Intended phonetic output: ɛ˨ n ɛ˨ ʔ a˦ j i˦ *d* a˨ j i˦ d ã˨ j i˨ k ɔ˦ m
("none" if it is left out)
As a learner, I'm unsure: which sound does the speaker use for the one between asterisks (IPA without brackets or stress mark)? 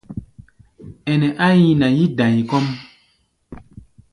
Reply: n